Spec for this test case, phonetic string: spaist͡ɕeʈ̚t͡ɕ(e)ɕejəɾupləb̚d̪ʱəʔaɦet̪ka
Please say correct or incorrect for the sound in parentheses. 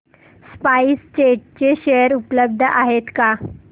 correct